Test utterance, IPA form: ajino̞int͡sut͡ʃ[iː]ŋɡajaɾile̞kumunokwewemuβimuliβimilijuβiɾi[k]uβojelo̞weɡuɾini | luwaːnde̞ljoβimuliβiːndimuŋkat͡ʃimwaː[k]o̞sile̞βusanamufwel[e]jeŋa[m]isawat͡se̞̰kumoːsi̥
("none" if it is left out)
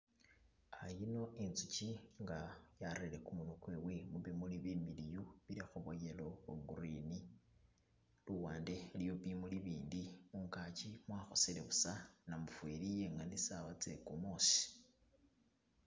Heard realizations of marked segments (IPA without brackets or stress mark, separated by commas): i, x, x, i, n